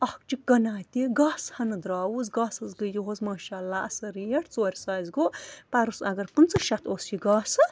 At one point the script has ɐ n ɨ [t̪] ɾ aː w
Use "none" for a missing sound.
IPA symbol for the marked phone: d̪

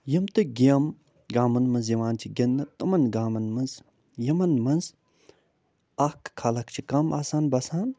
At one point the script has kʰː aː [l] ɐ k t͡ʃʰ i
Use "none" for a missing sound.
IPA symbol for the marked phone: l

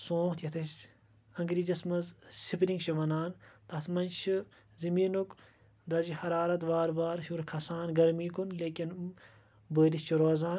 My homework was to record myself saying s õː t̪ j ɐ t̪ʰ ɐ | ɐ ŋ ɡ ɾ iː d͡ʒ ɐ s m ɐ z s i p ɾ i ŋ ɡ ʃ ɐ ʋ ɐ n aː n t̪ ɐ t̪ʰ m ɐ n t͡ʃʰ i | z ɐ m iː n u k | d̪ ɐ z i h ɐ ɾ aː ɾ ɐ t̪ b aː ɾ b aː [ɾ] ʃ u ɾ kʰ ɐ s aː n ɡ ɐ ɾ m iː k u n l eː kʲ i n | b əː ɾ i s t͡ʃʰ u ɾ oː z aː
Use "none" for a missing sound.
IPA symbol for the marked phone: ɾ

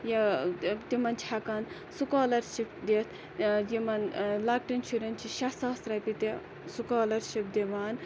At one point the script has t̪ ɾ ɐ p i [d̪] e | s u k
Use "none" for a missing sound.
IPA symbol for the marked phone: t̪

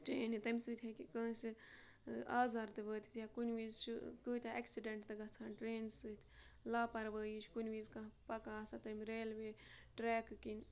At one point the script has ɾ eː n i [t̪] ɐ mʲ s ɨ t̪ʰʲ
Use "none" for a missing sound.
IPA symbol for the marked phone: t̪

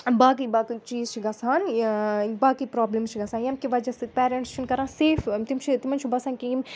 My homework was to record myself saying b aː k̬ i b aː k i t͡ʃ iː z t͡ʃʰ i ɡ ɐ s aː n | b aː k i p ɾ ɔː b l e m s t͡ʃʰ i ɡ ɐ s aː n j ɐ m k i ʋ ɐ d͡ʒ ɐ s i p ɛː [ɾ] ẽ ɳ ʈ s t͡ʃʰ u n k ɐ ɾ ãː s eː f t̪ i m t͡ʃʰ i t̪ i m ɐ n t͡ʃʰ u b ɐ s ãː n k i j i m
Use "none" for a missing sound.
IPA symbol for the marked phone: ɾ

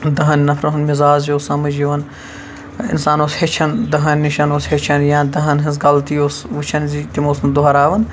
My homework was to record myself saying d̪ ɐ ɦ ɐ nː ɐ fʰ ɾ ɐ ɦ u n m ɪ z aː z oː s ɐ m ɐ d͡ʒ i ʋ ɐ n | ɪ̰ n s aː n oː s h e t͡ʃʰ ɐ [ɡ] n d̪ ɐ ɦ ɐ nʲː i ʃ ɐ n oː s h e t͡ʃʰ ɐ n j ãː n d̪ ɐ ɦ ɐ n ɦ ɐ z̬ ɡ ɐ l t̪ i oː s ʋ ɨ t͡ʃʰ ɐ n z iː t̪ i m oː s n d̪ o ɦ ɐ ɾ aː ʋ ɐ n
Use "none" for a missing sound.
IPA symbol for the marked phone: none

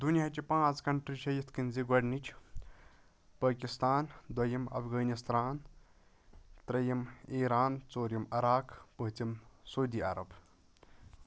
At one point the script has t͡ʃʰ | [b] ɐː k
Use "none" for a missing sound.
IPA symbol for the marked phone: p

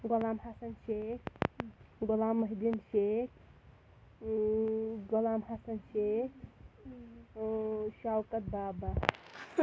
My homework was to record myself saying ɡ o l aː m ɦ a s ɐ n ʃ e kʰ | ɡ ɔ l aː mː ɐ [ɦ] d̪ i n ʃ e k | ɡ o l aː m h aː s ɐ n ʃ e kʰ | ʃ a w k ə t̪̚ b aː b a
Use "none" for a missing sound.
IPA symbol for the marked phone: ɦ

